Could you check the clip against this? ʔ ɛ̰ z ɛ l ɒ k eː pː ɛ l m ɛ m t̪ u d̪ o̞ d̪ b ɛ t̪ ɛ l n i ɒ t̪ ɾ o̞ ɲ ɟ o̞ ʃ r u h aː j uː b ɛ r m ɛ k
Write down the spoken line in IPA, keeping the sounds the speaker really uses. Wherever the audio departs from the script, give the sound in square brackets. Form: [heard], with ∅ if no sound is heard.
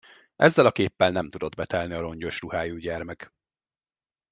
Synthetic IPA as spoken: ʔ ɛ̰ [zː] ɛ l ɒ k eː pː ɛ l [n] ɛ m t̪ u d̪ o̞ d̪ b ɛ t̪ ɛ l n i ɒ [∅] ɾ o̞ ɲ ɟ o̞ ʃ r u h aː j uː [ɟ] ɛ r m ɛ k